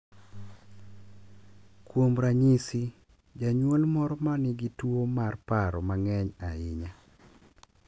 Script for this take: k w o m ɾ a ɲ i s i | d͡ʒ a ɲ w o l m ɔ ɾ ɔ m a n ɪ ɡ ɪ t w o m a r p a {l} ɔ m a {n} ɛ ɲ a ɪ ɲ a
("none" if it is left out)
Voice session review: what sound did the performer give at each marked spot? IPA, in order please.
ɾ, ŋ

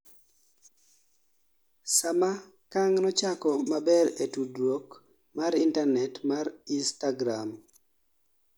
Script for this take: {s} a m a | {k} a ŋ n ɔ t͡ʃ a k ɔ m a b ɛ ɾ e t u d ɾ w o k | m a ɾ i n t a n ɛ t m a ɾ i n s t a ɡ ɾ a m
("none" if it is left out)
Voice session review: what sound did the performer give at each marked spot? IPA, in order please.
s, k

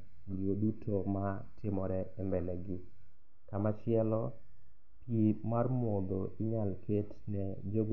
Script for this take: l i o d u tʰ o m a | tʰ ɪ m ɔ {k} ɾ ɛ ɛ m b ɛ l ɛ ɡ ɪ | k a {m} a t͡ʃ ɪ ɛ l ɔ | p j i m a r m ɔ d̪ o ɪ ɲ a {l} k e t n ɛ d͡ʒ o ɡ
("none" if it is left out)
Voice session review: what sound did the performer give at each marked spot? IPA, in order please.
none, m, l

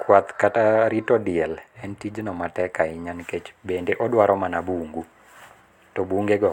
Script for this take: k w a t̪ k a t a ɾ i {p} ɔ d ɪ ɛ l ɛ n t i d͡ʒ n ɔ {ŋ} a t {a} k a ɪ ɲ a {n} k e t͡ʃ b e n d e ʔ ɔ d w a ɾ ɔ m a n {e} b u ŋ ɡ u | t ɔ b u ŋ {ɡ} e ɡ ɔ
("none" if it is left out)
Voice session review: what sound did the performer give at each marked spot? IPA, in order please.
t, m, ɛ, n, a, ɡ

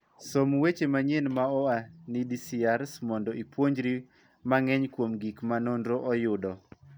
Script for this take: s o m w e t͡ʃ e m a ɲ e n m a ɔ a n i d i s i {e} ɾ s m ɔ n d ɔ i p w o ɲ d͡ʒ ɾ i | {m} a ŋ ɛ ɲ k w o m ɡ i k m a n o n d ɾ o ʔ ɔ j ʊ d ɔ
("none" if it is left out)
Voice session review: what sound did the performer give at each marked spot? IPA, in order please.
a, m

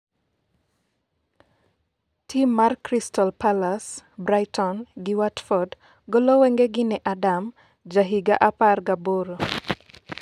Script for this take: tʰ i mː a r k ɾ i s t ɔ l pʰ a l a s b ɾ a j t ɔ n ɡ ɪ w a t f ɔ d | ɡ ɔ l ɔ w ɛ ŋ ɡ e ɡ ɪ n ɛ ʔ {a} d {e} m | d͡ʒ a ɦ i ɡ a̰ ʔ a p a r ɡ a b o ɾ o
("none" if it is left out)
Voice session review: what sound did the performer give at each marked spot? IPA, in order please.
a, a

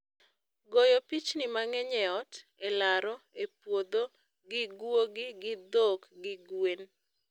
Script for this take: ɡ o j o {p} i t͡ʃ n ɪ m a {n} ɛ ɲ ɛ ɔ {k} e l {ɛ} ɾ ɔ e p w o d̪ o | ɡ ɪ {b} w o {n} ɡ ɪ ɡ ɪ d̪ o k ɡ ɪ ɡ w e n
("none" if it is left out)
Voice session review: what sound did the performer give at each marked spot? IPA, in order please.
p, ŋ, t, a, ɡ, none

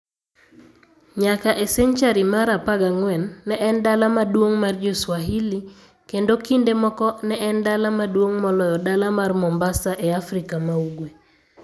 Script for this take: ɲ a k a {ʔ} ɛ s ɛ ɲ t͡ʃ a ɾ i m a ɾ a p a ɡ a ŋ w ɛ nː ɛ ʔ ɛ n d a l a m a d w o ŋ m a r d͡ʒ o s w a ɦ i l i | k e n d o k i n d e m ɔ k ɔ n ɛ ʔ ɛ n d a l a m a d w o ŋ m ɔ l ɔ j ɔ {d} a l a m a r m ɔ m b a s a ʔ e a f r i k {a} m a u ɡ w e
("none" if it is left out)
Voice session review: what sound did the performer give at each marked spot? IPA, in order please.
ʔ, d, a

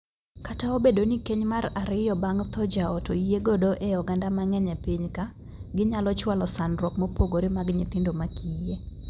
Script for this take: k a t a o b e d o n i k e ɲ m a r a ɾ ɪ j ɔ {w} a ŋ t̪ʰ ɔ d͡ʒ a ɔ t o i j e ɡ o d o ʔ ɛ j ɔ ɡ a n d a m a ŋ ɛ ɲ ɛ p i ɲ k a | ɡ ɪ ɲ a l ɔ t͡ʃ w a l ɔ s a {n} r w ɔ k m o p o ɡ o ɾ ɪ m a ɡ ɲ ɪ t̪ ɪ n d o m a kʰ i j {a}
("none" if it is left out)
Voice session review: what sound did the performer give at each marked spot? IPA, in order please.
b, n, e

